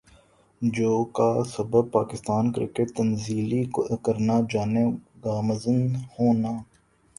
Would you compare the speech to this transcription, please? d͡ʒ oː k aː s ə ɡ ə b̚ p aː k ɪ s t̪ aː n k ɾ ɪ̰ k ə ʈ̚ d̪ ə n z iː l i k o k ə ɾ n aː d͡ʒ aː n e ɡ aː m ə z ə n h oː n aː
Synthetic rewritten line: d͡ʒ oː k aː s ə b ə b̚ p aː k ɪ s t̪ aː n k ɾ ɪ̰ k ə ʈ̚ t̪ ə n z iː l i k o k ə ɾ n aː d͡ʒ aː n e ɡ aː m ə z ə n h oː n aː